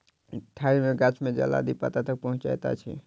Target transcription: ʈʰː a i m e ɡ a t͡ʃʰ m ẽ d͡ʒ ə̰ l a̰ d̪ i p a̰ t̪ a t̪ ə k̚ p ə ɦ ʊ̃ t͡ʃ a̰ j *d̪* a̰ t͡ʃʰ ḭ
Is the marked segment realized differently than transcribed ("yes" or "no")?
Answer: yes